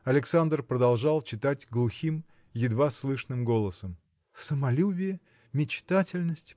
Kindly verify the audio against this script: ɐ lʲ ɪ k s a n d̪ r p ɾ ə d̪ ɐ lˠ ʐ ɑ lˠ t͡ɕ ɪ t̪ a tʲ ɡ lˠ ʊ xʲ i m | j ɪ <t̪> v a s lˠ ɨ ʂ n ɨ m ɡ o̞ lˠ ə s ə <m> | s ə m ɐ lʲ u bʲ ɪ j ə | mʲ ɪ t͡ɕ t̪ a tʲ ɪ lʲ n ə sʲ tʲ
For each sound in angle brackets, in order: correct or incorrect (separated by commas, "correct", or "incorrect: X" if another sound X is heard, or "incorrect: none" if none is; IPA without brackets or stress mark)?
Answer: incorrect: d̪, correct